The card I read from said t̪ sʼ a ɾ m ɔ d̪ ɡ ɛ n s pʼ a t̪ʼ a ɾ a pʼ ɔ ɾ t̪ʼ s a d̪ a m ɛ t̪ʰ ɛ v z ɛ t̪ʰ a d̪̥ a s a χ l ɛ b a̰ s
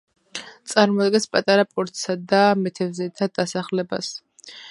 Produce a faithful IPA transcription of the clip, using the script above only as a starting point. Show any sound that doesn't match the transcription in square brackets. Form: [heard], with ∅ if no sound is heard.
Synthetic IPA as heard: t̪ sʼ a ɾ m ɔ d̪ ɡ ɛ n s pʼ a t̪ʼ a ɾ a pʼ ɔ ɾ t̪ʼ s a d̪ a m ɛ t̪ʰ ɛ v z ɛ t̪ʰ a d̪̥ a s a χ l ɛ b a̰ s